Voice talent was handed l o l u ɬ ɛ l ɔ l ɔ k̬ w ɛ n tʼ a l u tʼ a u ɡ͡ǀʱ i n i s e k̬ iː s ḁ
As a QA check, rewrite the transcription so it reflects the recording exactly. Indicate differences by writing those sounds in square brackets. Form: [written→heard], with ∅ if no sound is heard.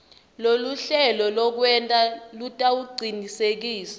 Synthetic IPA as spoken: l o l u ɬ ɛ l ɔ l ɔ k̬ w ɛ n tʼ a l u tʼ a u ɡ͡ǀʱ i n i s e k̬ iː s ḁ